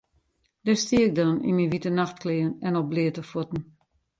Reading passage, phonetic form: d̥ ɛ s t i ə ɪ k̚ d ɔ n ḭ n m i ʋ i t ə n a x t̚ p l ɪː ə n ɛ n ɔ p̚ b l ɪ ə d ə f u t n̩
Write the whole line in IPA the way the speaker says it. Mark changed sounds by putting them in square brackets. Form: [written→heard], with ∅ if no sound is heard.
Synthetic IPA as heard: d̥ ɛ s t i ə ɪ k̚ d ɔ n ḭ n m i ʋ i t ə n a x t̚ [p→k] l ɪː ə n ɛ n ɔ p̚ b l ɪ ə [d→t] ə f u t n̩